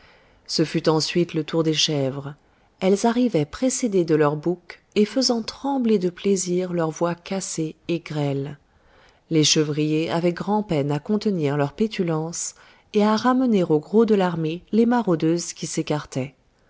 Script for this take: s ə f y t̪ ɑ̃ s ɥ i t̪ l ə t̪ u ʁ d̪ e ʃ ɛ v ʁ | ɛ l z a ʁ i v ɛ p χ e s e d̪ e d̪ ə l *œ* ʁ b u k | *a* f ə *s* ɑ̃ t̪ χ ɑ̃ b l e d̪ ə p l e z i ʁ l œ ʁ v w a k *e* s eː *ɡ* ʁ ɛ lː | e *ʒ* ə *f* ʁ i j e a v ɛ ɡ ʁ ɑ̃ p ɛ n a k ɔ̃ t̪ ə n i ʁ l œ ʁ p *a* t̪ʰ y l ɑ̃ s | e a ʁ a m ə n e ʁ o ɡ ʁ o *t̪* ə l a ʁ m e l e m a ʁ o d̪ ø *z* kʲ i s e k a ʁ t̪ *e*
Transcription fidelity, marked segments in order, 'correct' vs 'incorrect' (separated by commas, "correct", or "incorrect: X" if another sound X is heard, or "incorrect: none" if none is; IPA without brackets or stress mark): correct, incorrect: e, incorrect: z, incorrect: a, correct, incorrect: ʃ, incorrect: v, incorrect: e, incorrect: d̪, correct, incorrect: ɛ